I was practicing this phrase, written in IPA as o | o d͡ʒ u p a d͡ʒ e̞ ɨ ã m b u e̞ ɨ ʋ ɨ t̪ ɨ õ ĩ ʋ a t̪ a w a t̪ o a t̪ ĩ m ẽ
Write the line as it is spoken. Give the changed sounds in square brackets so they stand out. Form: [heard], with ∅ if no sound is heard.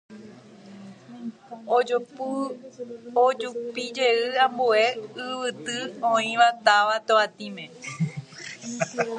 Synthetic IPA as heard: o | o d͡ʒ u p [i] d͡ʒ e̞ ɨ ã m b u e̞ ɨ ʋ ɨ t̪ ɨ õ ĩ ʋ a t̪ a [ʋ] a t̪ o a t̪ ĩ m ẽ

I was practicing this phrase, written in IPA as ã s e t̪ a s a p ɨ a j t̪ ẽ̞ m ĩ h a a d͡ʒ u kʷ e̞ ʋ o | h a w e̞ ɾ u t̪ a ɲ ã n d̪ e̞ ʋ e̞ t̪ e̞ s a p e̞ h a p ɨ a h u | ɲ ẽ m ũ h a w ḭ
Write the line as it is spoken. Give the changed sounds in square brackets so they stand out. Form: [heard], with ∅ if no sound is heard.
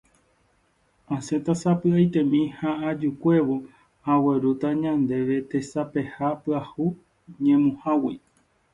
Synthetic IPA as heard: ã s e t̪ a s a p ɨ a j t̪ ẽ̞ m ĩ h a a d͡ʒ u kʷ e̞ ʋ o | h a w e̞ ɾ u t̪ a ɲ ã n d̪ e̞ ʋ e̞ t̪ e̞ s a p e̞ h a p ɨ a h u | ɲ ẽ m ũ h a w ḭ

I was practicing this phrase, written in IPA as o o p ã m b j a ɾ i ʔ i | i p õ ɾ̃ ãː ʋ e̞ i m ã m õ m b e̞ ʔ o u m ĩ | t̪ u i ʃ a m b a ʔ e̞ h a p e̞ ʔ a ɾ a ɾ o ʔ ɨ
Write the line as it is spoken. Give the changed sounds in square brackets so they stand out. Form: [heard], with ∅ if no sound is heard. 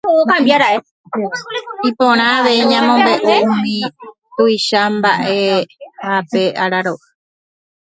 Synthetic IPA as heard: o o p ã m b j a ɾ [a] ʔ [e] | i p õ ɾ̃ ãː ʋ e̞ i [ɲ] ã m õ m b e̞ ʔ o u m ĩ | t̪ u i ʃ a m b a ʔ e̞ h a p e̞ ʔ a ɾ a ɾ o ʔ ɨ

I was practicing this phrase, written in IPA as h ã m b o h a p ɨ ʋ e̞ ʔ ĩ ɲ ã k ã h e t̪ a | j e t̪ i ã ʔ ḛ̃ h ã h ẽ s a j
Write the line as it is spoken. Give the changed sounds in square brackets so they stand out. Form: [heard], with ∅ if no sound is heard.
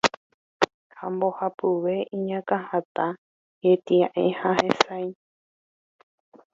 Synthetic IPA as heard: h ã m b o h a p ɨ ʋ e̞ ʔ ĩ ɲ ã k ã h [a] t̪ a | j e t̪ i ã ʔ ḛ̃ h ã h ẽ s a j

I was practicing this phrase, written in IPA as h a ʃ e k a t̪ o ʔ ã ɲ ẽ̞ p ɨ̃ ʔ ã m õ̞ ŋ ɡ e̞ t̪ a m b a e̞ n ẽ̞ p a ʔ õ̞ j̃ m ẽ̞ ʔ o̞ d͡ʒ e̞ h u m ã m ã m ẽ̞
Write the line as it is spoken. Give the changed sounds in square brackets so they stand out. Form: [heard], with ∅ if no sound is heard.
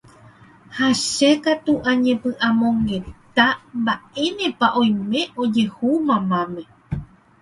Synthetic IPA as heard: h a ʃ e k a t̪ [u] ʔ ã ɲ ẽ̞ p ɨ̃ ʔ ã m õ̞ ŋ ɡ e̞ t̪ a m b a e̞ n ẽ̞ p a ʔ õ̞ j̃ m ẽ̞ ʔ o̞ d͡ʒ e̞ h u m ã m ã m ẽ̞

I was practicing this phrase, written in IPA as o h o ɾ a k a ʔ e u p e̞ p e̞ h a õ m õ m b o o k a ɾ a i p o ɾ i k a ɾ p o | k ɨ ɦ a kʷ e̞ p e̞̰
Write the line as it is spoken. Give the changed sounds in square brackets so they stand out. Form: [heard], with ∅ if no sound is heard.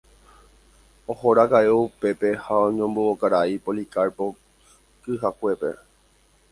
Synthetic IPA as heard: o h o ɾ a k a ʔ e u p e̞ p e̞ h a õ [ɲ] õ m b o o k a ɾ a i p o [l] i k a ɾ p o | k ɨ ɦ a kʷ e̞ p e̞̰

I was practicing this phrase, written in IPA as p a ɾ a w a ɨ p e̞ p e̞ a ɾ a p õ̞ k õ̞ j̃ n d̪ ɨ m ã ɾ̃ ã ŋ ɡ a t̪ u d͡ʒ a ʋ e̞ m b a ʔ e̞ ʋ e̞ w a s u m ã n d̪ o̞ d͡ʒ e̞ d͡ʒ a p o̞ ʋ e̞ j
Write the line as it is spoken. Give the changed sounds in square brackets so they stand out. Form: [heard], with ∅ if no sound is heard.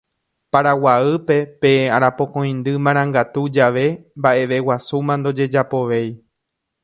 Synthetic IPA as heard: p a ɾ a w a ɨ p e̞ p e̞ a ɾ a p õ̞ k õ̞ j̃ n d̪ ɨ m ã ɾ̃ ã ŋ ɡ a t̪ u d͡ʒ a ʋ e̞ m b a ʔ e̞ ʋ e̞ w a s u m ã n d̪ o̞ d͡ʒ e̞ d͡ʒ a p o̞ ʋ e̞ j

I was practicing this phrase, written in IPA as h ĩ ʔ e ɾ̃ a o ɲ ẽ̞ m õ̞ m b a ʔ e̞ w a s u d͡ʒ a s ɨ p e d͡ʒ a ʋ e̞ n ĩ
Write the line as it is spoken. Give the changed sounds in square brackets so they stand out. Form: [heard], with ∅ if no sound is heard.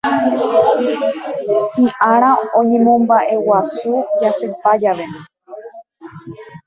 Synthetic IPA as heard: h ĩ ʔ [a] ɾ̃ a o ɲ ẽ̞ m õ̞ m b a ʔ e̞ w a s u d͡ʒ a s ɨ p [a] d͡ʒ a ʋ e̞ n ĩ

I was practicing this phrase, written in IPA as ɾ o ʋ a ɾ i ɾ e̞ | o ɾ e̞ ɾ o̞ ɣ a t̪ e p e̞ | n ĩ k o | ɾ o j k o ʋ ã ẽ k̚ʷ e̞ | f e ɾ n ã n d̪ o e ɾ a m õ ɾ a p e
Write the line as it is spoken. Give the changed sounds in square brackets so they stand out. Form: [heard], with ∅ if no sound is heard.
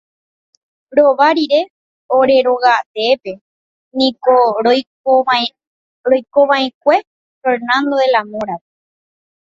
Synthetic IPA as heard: ɾ o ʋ a ɾ i ɾ e̞ | o ɾ e̞ ɾ o̞ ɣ a t̪ e p e̞ | n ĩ k o | ɾ o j k o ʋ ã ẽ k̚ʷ e̞ | f e ɾ n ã n d̪ o e [l] a m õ ɾ a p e

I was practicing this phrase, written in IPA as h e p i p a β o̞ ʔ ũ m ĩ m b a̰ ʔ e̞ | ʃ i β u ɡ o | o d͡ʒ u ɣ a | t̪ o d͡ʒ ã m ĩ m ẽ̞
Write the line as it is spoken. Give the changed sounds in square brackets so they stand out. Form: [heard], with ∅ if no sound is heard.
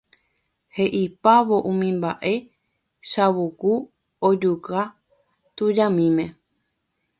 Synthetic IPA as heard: h e [ʔ] i p a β o̞ ʔ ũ m ĩ m b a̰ ʔ e̞ | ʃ [a] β u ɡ [u] | o d͡ʒ u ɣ a | t̪ [u] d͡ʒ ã m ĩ m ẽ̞

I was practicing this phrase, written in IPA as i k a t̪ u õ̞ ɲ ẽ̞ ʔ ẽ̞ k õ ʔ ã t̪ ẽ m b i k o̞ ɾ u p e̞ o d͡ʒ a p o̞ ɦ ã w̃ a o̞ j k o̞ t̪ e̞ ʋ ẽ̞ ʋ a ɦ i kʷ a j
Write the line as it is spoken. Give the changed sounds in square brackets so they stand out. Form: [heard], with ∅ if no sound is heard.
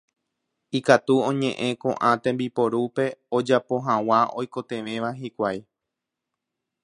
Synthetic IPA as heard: i k a t̪ u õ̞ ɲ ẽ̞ ʔ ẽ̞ k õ ʔ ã t̪ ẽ m b i [p] o̞ ɾ u p e̞ o d͡ʒ a p o̞ ɦ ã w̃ a o̞ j k o̞ t̪ e̞ ʋ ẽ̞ ʋ a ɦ i kʷ a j

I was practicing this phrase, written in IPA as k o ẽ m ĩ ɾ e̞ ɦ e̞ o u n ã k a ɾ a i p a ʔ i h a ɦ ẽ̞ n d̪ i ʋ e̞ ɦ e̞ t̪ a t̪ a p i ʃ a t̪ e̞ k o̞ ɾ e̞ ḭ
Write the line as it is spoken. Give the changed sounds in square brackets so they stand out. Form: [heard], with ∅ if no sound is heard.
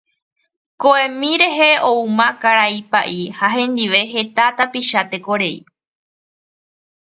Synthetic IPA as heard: k o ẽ m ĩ ɾ e̞ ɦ e̞ o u [m] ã k a ɾ a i p a ʔ i h a ɦ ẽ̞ n d̪ i ʋ e̞ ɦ e̞ t̪ a t̪ a p i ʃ a t̪ e̞ k o̞ ɾ e̞ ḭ

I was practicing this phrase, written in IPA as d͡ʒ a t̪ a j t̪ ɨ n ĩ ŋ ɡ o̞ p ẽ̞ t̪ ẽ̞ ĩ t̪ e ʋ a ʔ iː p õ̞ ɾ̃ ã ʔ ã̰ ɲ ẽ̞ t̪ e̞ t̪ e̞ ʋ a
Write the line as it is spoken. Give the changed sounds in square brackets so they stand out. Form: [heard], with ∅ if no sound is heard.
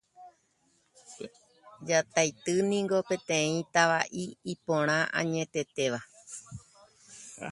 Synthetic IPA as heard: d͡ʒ a t̪ a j t̪ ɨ n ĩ ŋ ɡ o̞ p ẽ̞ t̪ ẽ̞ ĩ t̪ [a] ʋ a ʔ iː p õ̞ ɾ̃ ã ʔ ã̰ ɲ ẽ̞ t̪ e̞ t̪ e̞ ʋ a

